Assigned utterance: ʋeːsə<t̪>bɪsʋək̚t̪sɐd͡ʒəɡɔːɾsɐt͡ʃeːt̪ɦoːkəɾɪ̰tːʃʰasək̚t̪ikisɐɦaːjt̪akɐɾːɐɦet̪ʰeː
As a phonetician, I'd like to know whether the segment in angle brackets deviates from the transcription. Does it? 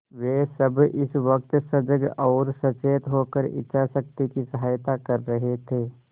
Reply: yes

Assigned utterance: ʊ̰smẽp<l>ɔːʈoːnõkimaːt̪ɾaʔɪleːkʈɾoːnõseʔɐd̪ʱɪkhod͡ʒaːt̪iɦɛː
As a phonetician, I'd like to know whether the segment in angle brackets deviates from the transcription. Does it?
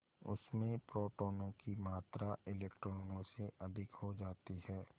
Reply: yes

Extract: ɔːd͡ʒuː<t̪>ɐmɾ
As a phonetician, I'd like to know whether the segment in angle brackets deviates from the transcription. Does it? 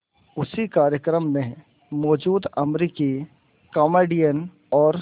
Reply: yes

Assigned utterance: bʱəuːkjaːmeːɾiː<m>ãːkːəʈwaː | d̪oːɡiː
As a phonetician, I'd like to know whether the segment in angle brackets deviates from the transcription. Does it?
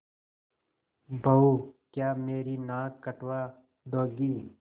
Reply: yes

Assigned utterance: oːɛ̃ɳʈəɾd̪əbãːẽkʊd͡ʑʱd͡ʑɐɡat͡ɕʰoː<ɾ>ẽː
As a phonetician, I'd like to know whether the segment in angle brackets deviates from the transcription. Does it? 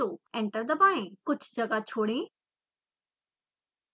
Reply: yes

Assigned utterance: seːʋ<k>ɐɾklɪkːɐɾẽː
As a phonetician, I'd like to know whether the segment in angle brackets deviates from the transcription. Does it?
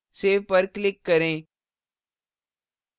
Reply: yes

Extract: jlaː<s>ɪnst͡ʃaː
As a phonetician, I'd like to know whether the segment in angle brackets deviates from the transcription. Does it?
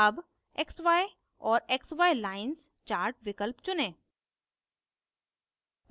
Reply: yes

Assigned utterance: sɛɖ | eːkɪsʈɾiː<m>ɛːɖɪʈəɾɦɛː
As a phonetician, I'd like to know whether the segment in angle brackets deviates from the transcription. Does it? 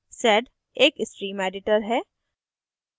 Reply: no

